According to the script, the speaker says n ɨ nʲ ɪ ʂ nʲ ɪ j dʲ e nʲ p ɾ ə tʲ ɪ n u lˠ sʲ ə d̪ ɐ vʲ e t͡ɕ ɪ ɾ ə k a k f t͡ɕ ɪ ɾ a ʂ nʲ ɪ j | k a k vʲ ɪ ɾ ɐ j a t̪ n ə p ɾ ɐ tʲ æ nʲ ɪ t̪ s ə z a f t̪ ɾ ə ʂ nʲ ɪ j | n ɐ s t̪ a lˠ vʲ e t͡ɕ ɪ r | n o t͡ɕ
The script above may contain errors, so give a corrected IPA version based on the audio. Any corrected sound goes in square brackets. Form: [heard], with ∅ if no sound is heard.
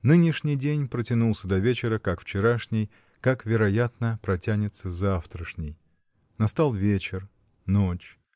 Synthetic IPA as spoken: n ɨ nʲ ɪ ʂ nʲ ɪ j dʲ e nʲ p ɾ ə tʲ ɪ n u lˠ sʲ ə d̪ ɐ vʲ e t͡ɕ ɪ ɾ ə k a k f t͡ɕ ɪ ɾ a ʂ nʲ ɪ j | k a k vʲ ɪ ɾ ɐ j a t̪ n ə p ɾ ɐ tʲ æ nʲ ɪ t̪ s ə z a f t̪ ɾ ə ʂ nʲ ɪ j | n ɐ s t̪ a lˠ vʲ e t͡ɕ ɪ r | n o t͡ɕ